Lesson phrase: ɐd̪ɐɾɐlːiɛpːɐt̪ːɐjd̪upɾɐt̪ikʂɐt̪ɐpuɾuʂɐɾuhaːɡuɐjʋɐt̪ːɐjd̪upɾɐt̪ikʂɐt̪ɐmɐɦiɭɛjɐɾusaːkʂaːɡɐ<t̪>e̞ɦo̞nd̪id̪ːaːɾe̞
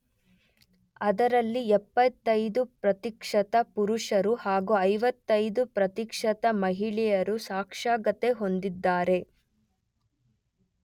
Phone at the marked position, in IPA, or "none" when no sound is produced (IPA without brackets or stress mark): t̪